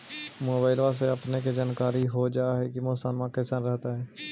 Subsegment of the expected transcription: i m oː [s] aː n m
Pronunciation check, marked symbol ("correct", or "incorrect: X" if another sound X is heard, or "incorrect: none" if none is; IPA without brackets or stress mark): correct